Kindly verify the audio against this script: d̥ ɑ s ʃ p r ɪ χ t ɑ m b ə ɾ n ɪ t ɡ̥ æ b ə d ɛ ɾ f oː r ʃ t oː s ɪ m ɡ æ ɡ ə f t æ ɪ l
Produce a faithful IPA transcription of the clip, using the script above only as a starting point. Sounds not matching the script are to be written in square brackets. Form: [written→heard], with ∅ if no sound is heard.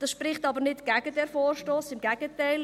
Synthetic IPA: d̥ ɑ s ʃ p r ɪ χ t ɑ [m→∅] b ə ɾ n ɪ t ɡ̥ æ [b→ɡ] ə d ɛ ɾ f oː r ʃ t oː s ɪ m ɡ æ ɡ ə [f→∅] t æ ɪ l